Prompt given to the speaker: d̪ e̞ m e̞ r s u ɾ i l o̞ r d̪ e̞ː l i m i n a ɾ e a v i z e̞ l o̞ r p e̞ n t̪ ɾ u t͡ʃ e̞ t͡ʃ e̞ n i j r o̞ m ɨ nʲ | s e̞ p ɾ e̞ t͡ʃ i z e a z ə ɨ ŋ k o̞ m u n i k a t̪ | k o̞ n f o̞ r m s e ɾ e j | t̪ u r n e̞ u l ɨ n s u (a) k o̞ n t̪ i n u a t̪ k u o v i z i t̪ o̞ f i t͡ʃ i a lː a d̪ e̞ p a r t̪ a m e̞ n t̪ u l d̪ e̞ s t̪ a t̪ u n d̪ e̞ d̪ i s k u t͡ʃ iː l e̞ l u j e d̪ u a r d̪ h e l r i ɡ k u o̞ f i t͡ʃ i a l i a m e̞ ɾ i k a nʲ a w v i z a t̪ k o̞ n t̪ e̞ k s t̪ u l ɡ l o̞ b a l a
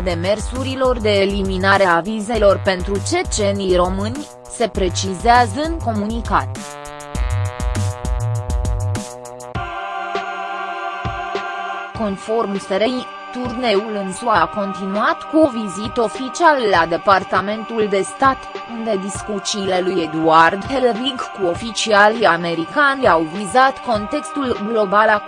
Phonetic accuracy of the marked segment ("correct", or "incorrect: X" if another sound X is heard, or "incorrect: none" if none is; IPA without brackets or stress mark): correct